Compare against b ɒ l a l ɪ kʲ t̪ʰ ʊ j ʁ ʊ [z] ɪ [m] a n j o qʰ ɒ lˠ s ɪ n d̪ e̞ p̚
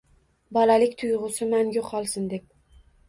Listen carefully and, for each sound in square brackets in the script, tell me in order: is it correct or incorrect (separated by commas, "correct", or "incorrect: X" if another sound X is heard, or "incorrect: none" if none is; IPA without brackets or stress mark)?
incorrect: s, correct